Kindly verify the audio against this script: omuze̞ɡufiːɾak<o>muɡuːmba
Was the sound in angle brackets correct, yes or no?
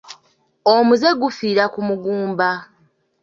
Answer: no